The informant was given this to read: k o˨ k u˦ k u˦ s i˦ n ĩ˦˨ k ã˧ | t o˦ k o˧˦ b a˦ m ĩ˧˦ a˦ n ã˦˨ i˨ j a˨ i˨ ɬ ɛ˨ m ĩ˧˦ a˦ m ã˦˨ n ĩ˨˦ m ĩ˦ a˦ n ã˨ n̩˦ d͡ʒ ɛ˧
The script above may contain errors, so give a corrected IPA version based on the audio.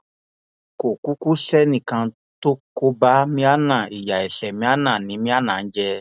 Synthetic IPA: k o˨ k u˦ k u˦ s ɛ˦ n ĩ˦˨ k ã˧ | t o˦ k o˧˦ b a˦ m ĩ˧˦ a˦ n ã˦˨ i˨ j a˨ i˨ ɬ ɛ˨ m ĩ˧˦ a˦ n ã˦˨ n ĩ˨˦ m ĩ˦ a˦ n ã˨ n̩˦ d͡ʒ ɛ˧